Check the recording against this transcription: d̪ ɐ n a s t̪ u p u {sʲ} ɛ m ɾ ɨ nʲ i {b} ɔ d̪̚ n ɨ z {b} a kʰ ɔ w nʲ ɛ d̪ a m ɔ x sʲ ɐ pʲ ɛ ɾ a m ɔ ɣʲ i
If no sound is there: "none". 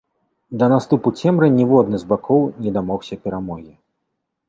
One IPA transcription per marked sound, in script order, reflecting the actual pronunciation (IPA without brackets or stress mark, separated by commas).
t͡sʲ, v, b